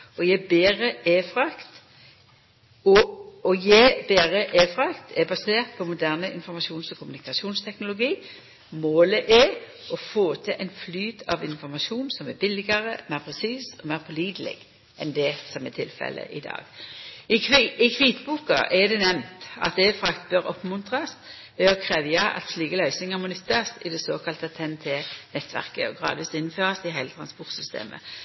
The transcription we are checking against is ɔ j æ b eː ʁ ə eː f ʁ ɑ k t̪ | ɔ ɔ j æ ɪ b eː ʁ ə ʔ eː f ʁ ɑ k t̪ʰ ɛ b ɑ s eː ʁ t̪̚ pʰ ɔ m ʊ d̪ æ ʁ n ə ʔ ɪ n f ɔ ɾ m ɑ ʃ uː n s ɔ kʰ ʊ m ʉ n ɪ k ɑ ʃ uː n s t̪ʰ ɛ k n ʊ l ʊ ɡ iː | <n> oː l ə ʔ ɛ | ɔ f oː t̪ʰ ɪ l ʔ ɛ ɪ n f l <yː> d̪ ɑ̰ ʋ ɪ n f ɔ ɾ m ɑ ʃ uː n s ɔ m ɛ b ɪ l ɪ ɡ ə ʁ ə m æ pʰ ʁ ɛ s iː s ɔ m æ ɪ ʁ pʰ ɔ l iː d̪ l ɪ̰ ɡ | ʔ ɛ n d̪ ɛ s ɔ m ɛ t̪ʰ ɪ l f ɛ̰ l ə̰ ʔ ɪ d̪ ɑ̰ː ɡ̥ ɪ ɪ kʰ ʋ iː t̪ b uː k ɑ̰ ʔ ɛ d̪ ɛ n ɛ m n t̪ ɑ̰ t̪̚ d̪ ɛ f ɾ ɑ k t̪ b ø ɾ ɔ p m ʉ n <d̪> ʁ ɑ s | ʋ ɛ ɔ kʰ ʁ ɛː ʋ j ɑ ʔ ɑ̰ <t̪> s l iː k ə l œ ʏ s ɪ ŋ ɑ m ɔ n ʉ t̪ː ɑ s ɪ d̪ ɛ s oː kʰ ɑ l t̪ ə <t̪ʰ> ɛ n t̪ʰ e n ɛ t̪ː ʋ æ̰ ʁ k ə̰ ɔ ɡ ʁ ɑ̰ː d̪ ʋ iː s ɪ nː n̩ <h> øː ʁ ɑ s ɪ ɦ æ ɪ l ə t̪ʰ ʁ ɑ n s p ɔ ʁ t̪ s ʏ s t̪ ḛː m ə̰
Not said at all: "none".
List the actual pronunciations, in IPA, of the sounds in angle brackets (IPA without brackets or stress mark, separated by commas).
m, yː, t̪, t̪, t̪ʰ, f